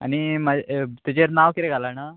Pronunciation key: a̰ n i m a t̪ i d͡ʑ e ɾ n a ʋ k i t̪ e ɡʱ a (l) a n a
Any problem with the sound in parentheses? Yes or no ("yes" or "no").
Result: no